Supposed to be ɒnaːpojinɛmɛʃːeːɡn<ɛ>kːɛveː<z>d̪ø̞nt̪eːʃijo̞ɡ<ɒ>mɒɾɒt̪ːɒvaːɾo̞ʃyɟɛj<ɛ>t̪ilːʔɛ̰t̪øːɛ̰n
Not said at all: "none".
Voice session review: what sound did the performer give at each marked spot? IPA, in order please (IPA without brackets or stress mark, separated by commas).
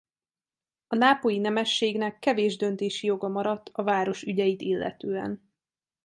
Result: ɛ, ʒ, ɒ, i